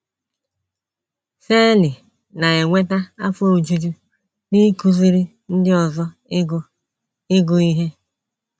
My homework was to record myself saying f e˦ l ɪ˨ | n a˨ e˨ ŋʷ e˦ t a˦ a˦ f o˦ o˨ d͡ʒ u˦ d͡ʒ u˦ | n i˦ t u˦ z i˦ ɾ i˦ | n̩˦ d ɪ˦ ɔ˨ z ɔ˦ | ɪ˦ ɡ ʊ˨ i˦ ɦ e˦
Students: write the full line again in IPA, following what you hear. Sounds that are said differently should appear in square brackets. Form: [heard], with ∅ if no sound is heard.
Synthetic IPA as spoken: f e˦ l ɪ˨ | n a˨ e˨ ŋʷ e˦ t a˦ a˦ f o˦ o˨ d͡ʒ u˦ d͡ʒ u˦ | n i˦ [k] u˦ z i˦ ɾ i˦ | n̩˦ d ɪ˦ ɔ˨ z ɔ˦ | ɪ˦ ɡ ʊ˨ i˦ ɦ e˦